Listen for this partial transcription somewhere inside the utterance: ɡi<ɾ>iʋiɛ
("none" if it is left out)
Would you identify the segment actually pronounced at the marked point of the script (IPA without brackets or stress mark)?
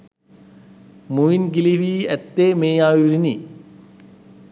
l